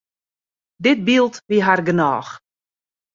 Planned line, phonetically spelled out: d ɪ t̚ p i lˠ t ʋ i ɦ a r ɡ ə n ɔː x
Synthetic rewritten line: d ɪ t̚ b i lˠ t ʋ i ɦ a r ɡ ə n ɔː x